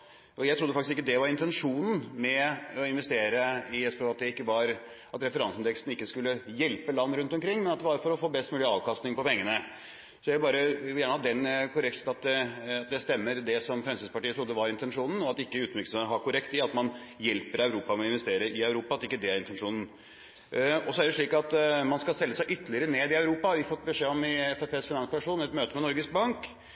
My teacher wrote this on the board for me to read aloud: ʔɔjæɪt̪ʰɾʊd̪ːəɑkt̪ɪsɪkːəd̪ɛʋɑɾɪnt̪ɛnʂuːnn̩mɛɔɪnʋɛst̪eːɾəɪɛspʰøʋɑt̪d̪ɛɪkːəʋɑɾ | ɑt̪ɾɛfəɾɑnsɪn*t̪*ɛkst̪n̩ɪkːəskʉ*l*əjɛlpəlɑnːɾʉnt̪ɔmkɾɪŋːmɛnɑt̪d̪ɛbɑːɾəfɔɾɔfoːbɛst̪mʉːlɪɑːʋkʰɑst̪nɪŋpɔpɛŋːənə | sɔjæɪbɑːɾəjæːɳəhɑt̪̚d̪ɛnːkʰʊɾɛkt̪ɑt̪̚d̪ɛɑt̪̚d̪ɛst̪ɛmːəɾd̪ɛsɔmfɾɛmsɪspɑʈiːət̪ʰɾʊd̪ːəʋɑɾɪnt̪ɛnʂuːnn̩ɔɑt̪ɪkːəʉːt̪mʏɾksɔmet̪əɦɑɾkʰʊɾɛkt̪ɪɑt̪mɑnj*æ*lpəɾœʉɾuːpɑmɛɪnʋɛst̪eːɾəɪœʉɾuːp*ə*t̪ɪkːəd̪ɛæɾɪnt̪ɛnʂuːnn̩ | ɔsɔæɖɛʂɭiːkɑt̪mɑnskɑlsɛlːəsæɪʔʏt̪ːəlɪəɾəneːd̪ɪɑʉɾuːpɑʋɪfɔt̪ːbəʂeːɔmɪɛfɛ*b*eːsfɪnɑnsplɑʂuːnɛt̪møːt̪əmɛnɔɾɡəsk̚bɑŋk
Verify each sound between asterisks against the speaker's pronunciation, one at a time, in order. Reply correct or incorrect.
incorrect: d̪, incorrect: lː, incorrect: ɛ, incorrect: ɑ, incorrect: p

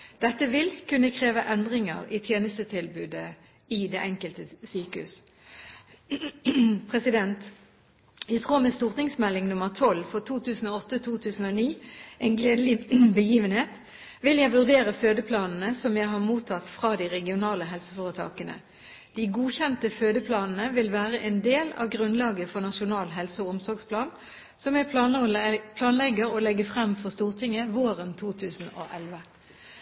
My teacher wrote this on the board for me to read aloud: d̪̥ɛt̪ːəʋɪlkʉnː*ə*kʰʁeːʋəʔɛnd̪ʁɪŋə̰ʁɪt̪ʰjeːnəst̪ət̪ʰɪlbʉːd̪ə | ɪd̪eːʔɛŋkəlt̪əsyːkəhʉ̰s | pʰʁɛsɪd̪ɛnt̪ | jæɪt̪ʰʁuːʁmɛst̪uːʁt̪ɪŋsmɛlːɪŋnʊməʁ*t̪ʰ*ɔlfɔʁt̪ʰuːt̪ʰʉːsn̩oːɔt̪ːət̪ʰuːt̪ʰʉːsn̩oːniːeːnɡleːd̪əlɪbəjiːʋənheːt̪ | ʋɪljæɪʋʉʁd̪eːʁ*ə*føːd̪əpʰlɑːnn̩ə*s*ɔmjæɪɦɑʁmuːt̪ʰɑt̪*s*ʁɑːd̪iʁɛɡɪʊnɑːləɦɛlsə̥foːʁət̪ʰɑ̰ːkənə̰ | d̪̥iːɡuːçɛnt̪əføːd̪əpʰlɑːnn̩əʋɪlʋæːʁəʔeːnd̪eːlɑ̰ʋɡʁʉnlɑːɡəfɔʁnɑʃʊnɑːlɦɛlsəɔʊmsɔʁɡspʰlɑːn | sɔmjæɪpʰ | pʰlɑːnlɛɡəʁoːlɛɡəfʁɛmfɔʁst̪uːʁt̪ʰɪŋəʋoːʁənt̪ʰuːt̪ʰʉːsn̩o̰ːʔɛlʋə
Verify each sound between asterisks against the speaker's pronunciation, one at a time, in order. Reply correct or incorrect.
correct, correct, correct, correct, incorrect: f

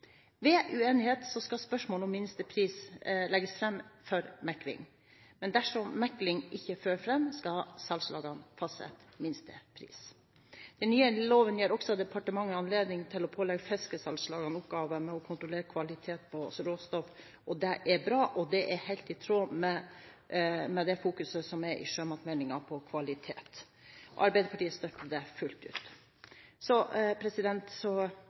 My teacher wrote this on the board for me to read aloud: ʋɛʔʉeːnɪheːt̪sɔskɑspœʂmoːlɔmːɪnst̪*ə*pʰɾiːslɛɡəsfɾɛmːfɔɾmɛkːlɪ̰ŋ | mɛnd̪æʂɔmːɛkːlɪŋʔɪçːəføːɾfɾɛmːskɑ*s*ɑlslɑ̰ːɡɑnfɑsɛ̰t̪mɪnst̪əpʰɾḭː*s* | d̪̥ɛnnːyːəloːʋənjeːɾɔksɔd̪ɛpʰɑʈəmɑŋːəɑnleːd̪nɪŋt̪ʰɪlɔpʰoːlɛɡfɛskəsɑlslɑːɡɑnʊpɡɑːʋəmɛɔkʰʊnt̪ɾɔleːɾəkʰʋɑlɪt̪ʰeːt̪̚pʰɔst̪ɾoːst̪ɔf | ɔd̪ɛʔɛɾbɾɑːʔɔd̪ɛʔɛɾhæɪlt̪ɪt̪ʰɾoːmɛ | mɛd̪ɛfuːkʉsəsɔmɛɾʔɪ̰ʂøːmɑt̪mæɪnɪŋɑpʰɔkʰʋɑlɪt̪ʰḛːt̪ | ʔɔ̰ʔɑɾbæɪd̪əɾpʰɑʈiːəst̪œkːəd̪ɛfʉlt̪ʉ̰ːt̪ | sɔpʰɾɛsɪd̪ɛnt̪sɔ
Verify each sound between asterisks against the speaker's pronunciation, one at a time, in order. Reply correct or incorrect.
correct, correct, correct

